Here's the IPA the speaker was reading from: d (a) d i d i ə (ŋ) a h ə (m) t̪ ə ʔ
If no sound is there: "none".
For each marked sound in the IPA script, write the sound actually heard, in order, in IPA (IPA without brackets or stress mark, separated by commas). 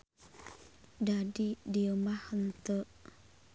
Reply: a, m, n